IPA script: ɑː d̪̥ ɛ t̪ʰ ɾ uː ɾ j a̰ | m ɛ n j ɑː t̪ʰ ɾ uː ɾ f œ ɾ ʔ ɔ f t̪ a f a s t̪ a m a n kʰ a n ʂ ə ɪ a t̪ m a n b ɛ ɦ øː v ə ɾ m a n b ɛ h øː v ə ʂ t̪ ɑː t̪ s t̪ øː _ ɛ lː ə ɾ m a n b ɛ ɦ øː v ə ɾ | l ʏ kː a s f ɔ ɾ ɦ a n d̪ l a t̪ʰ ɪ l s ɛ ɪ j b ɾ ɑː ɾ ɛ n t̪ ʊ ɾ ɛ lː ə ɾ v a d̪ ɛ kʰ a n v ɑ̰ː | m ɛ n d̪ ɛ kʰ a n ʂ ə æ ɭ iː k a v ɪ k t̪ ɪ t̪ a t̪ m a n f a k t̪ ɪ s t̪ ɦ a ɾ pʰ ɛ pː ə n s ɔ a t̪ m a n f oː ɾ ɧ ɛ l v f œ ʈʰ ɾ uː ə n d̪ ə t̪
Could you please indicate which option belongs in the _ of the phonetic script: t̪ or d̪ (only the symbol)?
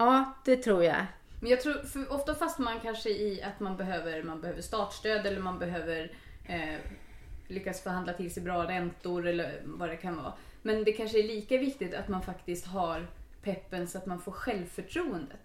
d̪